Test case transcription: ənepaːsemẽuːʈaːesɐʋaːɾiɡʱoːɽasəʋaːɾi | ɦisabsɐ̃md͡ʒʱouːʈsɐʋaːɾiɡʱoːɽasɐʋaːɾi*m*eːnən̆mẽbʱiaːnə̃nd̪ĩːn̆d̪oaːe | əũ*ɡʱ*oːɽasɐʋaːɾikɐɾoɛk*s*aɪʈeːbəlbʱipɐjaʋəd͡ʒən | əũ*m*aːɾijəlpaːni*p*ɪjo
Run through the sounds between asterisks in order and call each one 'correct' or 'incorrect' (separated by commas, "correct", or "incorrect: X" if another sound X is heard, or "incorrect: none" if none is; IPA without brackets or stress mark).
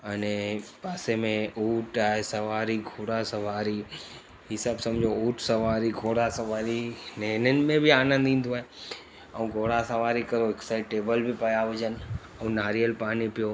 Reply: incorrect: n, correct, correct, incorrect: n, correct